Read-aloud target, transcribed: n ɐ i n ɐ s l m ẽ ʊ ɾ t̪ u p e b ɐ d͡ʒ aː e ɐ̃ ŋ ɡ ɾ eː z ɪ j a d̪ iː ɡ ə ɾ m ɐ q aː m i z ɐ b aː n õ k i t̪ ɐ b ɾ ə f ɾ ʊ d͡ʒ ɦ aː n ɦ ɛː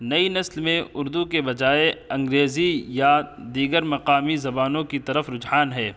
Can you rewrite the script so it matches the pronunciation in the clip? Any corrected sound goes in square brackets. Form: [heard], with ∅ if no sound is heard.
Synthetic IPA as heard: n ɐ i n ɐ s l m ẽ ʊ ɾ [d̪] u [k] e b ɐ d͡ʒ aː e ɐ̃ ŋ ɡ ɾ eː z [i] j a d̪ iː ɡ ə ɾ m ɐ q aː m i z ɐ b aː n õ k i t̪ ɐ [∅] ɾ ə f ɾ ʊ d͡ʒ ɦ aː n ɦ ɛː

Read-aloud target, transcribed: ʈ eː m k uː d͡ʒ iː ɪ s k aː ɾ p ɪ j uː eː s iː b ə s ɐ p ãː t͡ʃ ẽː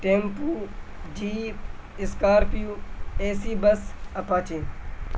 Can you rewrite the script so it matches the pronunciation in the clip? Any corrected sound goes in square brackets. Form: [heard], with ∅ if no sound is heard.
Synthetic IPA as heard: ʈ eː m [p] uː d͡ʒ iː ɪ s k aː ɾ p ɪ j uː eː s iː b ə s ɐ p [aː] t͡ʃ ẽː

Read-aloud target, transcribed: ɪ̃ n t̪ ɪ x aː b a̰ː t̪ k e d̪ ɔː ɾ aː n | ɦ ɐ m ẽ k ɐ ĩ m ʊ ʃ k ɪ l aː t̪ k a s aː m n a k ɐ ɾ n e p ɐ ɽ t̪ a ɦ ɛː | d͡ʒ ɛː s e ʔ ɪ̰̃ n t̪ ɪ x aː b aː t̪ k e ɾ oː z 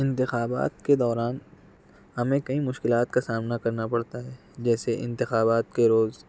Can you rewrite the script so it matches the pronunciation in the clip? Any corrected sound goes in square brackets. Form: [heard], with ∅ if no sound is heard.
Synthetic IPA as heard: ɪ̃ n t̪ ɪ x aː b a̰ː t̪ k e d̪ ɔː ɾ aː n | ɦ ɐ m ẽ k ɐ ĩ m ʊ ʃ k ɪ l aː t̪ k a s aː m n a k ɐ ɾ n [a] p ɐ ɽ t̪ a ɦ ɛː | d͡ʒ ɛː s e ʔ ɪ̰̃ n t̪ ɪ x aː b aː t̪ k e ɾ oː z

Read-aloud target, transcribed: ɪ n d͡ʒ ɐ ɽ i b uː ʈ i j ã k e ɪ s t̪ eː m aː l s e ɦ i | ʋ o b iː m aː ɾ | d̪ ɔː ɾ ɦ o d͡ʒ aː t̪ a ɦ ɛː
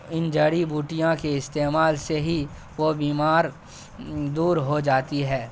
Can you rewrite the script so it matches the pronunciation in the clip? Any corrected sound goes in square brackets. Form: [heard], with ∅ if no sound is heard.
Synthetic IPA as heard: ɪ n d͡ʒ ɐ ɽ i b uː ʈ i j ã k e ɪ s t̪ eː m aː l s e ɦ i | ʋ o b iː m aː ɾ | d̪ [uː] ɾ ɦ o d͡ʒ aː t̪ [i] ɦ ɛː

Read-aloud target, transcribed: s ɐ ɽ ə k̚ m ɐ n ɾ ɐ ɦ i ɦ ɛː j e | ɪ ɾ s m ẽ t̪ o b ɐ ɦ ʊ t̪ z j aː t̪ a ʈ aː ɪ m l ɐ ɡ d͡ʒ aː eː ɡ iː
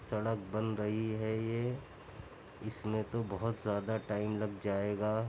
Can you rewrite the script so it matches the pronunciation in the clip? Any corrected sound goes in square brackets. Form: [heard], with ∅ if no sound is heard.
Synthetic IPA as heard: s ɐ ɽ ə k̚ [b] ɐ n ɾ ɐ ɦ i ɦ [ɛ] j e | ɪ [∅] s m ẽ t̪ o b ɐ ɦ ʊ t̪ z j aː [d̪] a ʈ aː ɪ m l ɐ ɡ d͡ʒ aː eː ɡ [aː]

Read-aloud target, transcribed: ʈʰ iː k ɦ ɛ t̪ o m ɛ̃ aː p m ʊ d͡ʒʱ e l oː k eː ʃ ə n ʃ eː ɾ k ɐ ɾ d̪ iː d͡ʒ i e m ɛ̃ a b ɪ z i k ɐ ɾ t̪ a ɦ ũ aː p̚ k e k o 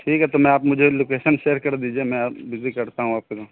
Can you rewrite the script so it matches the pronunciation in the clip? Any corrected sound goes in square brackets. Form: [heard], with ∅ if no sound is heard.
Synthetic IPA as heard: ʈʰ iː k ɦ ɛ t̪ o m ɛ̃ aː p m ʊ d͡ʒʱ e l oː k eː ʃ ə n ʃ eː ɾ k ɐ ɾ d̪ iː d͡ʒ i e m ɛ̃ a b ɪ z i k ɐ ɾ t̪ a ɦ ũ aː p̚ k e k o

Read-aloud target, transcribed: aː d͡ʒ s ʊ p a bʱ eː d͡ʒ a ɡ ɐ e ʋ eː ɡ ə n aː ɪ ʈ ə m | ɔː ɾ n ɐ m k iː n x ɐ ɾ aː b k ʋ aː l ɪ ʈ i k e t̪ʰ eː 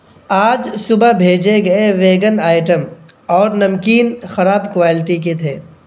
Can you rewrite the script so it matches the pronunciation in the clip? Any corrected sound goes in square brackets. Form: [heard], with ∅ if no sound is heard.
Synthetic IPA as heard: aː d͡ʒ s ʊ [b] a bʱ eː d͡ʒ [e] ɡ ɐ e ʋ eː ɡ ə n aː ɪ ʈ ə m | ɔː ɾ n ɐ m k iː n x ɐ ɾ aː b k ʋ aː l ɪ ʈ i k e t̪ʰ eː

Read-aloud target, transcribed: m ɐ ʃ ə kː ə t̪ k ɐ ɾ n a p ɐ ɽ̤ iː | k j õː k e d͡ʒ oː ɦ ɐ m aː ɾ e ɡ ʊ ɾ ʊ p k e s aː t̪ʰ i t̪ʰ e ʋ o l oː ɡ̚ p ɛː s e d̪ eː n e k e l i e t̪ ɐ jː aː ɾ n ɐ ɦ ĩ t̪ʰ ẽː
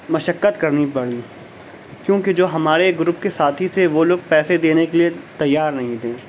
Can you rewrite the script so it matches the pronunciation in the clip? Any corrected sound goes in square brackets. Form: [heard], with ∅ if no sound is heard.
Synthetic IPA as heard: m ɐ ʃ ə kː ə t̪ k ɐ ɾ n [i] p ɐ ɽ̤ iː | k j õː k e d͡ʒ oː ɦ ɐ m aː ɾ e ɡ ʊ ɾ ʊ p k e s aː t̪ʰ i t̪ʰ e ʋ o l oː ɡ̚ p ɛː s e d̪ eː n e k e l i e t̪ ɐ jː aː ɾ n ɐ ɦ ĩ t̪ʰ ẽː

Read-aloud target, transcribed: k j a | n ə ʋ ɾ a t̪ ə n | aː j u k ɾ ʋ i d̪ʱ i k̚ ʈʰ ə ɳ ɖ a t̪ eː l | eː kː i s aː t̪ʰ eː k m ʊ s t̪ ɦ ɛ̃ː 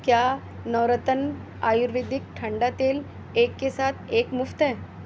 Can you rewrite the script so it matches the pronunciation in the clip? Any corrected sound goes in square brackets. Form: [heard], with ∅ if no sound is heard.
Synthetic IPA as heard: k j a | n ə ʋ ɾ [ə] t̪ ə n | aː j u [∅] ɾ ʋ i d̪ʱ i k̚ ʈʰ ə ɳ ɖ a t̪ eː l | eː kː [e] s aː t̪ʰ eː k m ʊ [f] t̪ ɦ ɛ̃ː

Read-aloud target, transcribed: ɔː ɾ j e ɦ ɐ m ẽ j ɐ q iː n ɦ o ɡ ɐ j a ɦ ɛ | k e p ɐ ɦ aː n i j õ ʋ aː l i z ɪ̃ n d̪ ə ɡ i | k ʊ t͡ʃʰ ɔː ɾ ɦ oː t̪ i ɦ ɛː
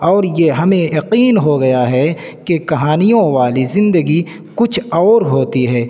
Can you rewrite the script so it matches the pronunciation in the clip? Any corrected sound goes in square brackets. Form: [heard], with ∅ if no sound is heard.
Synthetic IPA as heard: ɔː ɾ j e ɦ ɐ m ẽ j ɐ q iː n ɦ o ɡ ɐ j a ɦ ɛ | k e [k] ɐ ɦ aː n i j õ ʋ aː l i z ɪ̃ n d̪ ə ɡ i | k ʊ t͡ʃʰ ɔː ɾ ɦ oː t̪ i ɦ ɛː

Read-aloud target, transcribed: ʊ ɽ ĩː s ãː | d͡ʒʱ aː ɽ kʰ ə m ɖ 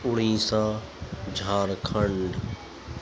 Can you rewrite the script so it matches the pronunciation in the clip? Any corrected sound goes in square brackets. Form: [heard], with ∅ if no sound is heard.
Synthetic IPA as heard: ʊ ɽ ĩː s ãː | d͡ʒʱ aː [ɾ] kʰ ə [ɳ] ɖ

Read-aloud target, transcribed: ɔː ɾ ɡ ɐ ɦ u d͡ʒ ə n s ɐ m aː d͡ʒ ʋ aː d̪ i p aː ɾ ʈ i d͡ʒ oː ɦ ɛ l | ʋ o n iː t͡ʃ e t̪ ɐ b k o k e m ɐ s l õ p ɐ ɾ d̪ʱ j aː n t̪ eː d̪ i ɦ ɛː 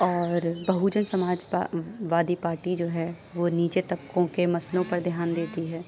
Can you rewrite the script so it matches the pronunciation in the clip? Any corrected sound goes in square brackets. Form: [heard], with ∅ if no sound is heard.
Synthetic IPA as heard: ɔː ɾ [b] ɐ ɦ u d͡ʒ ə n s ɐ m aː d͡ʒ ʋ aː d̪ i p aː ɾ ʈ i d͡ʒ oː ɦ ɛ [∅] | ʋ o n iː t͡ʃ e t̪ ɐ b k [õ] k e m ɐ s l õ p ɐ ɾ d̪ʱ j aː n [d̪] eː [t̪] i ɦ ɛː

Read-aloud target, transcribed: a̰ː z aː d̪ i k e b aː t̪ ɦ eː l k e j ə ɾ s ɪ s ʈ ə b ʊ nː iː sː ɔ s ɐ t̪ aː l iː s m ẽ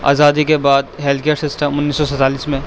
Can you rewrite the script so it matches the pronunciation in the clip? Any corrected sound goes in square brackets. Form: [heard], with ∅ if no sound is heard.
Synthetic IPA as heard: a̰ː z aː d̪ i k e b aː [d̪] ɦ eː l k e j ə ɾ s ɪ s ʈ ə [m] ʊ nː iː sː ɔ s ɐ t̪ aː l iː s m ẽ

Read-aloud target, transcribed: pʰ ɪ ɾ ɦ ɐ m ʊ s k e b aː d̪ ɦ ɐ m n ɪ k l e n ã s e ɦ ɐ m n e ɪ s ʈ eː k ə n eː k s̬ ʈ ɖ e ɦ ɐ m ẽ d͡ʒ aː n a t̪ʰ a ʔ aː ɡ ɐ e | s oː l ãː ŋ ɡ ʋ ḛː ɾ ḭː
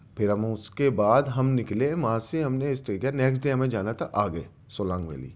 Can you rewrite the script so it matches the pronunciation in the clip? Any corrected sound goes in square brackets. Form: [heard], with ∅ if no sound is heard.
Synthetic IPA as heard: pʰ ɪ ɾ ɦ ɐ m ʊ s k e b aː d̪ ɦ ɐ m n ɪ k l e [m] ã s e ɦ ɐ m n e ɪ s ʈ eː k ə n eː k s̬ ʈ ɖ e ɦ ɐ m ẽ d͡ʒ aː n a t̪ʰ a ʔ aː ɡ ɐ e | s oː l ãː ŋ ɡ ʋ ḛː [l] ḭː

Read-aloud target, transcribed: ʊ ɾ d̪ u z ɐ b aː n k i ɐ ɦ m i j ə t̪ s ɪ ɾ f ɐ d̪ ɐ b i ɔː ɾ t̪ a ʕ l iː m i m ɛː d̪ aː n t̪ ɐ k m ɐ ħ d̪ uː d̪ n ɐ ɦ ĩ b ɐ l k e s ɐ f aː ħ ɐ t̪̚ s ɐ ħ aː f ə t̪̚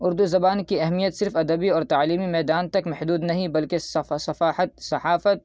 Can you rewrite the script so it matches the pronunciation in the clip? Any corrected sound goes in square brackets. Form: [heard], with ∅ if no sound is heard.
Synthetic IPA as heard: ʊ ɾ d̪ u z ɐ b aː n k i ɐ ɦ m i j ə t̪ s ɪ ɾ f ɐ d̪ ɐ b i ɔː ɾ t̪ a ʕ l iː m i m ɛː d̪ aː n t̪ ɐ k m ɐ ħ d̪ uː d̪ n ɐ ɦ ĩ b ɐ l k e s ɐ f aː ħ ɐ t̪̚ s ɐ ħ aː f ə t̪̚

